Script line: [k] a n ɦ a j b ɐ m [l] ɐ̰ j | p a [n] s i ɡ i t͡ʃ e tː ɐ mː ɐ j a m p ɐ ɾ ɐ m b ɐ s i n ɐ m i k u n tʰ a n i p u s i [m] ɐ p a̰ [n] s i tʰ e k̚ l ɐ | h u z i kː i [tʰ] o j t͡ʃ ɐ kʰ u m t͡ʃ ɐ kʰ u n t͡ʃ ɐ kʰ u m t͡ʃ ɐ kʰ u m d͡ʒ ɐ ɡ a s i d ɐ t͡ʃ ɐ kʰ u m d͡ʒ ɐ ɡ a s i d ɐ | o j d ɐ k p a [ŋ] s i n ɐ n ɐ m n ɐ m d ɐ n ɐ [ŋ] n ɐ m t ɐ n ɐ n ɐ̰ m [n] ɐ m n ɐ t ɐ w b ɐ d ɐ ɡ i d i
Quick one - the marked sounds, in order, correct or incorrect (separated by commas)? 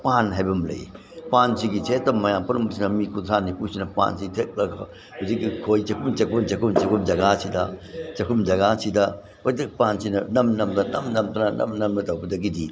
incorrect, correct, correct, incorrect, correct, incorrect, incorrect, incorrect, correct